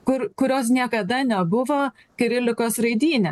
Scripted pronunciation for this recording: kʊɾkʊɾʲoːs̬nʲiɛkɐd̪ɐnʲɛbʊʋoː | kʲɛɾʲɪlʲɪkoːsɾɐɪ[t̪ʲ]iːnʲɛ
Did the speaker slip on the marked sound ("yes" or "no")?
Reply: yes